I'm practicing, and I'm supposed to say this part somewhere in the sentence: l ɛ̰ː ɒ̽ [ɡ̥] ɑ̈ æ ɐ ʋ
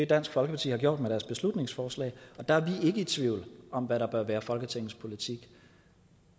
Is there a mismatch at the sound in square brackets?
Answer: yes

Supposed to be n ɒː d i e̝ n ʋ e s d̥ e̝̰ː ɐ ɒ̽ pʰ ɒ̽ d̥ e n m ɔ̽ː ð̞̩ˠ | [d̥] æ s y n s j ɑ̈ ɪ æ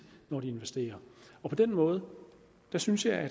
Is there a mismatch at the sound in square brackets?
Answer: no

